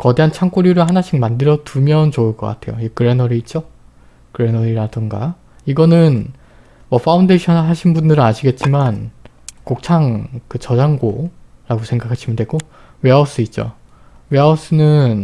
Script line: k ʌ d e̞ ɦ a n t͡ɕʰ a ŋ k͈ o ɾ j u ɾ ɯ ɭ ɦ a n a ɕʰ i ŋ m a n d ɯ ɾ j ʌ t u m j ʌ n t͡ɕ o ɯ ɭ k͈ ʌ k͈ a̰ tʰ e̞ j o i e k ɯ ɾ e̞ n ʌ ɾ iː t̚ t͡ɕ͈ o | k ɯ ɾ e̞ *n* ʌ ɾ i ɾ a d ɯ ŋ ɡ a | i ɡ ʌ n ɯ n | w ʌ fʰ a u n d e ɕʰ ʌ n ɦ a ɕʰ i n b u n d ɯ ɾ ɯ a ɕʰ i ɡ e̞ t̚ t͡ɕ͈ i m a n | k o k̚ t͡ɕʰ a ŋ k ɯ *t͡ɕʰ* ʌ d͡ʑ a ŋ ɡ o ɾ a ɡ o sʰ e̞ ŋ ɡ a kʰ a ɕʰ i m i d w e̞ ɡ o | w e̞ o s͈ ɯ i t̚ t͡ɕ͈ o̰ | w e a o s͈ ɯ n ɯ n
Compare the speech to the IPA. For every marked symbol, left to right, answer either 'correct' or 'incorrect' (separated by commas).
correct, incorrect